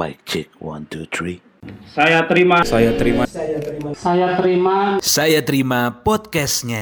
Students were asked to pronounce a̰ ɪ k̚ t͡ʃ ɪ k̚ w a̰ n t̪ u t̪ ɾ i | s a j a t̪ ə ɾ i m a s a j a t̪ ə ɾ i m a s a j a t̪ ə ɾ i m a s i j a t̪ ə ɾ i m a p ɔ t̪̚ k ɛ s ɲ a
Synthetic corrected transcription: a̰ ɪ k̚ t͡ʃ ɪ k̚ w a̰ n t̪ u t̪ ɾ i | s a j a t̪ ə ɾ i m a s a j a t̪ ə ɾ i m a s a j a t̪ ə ɾ i m a s a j a t̪ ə ɾ i m a p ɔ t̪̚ k ɛ s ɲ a